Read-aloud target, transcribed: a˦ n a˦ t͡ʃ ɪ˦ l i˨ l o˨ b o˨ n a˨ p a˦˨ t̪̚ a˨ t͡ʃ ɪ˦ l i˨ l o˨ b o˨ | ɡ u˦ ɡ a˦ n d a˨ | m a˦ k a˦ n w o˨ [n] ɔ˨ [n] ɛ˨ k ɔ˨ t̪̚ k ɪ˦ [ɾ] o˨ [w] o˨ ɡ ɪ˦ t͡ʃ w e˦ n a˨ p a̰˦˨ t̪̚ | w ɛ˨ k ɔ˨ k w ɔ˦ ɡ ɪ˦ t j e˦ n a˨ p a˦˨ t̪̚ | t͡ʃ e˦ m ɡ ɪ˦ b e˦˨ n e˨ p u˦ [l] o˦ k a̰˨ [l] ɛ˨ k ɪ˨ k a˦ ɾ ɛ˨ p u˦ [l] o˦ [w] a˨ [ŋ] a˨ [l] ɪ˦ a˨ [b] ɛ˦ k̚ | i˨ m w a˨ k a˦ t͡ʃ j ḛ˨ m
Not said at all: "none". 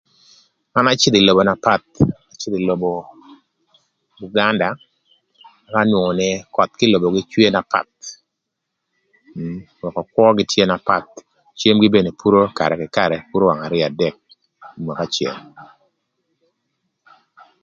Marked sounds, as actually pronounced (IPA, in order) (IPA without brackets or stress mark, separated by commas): ŋ, n, l, b, ɾ, ɾ, ɾ, w, ŋ, ɾ, d